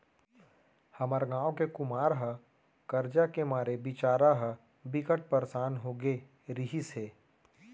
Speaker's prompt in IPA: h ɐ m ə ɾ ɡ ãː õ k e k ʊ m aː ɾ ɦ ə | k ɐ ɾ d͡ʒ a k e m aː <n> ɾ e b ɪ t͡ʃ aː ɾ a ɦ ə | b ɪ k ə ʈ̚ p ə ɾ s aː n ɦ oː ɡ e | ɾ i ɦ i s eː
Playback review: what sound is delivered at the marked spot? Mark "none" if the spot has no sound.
none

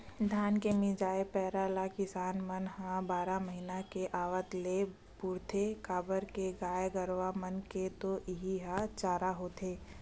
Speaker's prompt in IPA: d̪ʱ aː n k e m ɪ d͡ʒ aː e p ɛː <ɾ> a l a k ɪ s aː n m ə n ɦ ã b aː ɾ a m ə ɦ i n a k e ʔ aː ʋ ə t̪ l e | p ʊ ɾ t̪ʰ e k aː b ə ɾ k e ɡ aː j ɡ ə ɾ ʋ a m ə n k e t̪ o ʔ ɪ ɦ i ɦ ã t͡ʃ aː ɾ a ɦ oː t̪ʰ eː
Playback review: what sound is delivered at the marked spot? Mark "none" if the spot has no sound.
ɾ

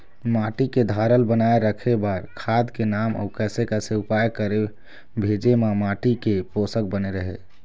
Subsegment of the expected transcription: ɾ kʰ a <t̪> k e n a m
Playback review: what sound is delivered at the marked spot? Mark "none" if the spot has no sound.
d̪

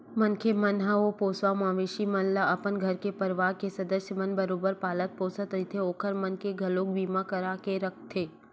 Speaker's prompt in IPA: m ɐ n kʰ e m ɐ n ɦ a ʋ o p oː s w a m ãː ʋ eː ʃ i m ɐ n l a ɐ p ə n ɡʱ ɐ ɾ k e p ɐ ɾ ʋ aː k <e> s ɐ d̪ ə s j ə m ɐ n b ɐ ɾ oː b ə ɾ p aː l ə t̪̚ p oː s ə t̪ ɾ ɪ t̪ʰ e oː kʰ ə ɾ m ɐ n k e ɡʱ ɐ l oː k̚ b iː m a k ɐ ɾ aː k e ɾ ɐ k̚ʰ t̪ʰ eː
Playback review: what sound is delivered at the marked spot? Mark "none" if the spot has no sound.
e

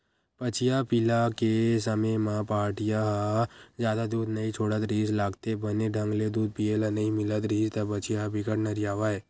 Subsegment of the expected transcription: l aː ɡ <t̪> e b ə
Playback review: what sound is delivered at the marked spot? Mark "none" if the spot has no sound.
t̪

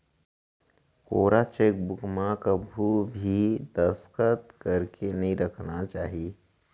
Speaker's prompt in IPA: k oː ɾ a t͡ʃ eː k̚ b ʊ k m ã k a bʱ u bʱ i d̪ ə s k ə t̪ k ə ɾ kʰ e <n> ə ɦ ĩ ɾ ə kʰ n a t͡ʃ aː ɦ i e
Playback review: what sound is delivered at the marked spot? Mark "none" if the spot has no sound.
n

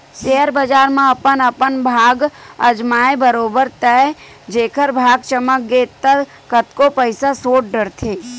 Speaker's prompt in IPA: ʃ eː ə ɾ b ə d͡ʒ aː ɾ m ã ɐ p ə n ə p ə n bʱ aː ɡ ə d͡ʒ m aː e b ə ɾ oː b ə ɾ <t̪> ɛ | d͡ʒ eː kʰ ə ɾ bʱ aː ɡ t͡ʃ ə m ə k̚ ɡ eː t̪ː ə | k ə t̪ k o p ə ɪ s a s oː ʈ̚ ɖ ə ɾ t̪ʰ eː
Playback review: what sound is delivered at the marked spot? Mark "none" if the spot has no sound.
t̪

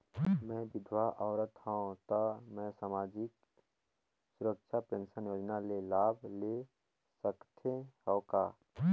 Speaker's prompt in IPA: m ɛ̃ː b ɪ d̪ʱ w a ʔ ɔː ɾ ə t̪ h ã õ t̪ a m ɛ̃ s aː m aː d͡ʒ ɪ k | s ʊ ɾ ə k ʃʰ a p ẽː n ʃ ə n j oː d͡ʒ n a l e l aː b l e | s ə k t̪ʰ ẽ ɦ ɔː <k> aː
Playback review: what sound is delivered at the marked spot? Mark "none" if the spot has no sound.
k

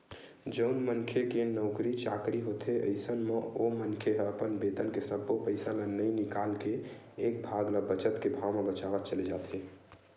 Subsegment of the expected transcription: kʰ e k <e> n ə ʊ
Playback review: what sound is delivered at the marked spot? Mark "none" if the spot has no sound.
e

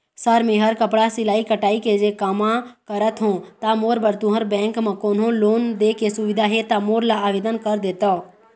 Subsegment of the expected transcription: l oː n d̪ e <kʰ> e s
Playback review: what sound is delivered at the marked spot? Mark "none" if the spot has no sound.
k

